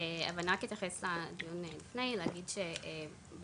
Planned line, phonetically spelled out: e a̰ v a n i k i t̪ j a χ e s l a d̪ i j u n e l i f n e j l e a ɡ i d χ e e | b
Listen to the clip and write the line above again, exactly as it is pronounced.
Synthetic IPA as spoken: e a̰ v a n a k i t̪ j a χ e s l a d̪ i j u n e l i f n e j l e a ɡ i d ʃ e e | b

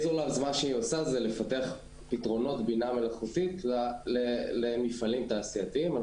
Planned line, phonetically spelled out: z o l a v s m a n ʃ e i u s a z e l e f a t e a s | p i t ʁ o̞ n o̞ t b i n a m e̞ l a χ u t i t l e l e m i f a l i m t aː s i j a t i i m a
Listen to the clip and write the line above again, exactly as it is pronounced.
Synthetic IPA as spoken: z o l a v z m a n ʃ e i o s a z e l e f a t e a χ | p i t ʁ o̞ n o̞ t b i n a m e̞ l a χ u t i t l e l e m i f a l i m t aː s i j a t i i m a

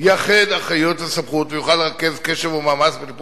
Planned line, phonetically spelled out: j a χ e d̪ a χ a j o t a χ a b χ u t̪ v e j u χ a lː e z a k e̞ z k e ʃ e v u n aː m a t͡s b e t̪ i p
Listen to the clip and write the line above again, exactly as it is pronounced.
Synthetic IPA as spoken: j a χ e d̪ a χ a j o t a s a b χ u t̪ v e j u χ a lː e ʁ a k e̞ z k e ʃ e v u m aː m a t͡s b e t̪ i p

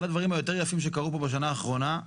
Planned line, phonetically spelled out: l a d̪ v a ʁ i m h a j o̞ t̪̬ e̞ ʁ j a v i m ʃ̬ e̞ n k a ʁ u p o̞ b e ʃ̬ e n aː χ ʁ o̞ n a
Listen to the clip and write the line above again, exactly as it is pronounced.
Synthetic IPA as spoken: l a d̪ v a ʁ i m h a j o̞ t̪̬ e̞ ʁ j a f i m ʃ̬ e̞ k a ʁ u p o̞ b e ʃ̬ a n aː χ ʁ o̞ n a

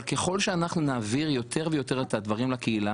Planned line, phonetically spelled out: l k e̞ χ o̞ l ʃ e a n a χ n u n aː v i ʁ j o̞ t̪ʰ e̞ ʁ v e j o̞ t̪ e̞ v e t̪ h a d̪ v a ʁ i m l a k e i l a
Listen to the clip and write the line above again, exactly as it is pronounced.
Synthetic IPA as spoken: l k e̞ χ o̞ l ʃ e a n a χ n u n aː v i ʁ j o̞ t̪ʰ e̞ ʁ v e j o̞ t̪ e̞ ʁ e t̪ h a d̪ v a ʁ i m l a k e i l a

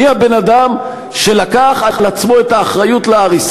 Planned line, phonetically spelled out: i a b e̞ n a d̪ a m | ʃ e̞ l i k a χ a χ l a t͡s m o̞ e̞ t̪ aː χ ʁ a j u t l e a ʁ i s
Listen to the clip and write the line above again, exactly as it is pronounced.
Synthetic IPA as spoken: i a b e̞ n a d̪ a m | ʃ e̞ l a k a χ a χ l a t͡s m o̞ e̞ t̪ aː χ ʁ a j u t l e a ʁ i s

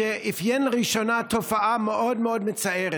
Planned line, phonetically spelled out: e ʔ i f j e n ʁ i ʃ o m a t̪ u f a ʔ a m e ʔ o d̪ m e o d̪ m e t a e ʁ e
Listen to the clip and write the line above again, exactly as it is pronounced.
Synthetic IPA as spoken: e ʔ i f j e n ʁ i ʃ o n a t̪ o f a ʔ a m e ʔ o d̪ m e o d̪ m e t͡s a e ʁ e

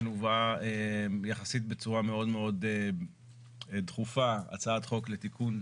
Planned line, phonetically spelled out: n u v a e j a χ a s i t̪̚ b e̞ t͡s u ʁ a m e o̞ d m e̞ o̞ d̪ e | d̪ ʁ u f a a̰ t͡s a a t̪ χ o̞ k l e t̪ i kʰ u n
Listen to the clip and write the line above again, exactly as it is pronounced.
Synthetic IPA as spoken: n u v a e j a χ a s i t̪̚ b e̞ t͡s u ʁ a m e o̞ d m e̞ o̞ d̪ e | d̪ χ u f a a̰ t͡s a a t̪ χ o̞ k l e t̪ i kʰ u n

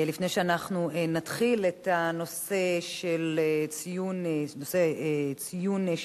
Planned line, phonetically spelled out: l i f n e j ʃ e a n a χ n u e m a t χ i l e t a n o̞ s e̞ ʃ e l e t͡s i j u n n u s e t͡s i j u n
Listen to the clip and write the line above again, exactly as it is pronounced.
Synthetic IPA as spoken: l i f n e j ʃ e a n a χ n u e n a t χ i l e t a n o̞ s e̞ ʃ e l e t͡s i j u n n o s e t͡s i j u n

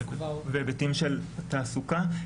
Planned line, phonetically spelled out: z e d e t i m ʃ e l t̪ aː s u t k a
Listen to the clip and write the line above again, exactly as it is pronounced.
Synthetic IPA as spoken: v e b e t i m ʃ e l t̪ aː s u k a

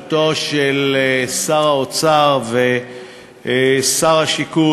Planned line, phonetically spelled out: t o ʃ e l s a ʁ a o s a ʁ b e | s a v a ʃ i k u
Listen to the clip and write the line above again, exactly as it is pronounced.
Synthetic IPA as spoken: t o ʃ e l s a ʁ a o t͡s a ʁ v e | s a ʁ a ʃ i k u

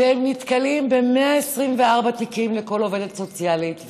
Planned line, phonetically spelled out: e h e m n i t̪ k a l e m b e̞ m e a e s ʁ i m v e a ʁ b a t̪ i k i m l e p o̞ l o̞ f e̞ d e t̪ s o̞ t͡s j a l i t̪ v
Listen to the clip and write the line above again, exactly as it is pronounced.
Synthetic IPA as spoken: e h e m n i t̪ k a l i m b e̞ m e a e s ʁ i m v e a ʁ b a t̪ i k i m l e k o̞ l o̞ v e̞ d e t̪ s o̞ t͡s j a l i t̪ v

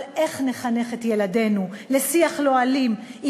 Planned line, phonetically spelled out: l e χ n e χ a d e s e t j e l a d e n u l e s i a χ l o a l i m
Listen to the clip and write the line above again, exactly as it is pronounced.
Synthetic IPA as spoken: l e χ n e χ a n e χ e t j e l a d e n u l e s i a χ l o a l i m

